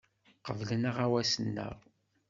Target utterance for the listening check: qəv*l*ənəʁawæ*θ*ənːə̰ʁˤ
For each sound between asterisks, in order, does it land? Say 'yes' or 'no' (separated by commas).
yes, no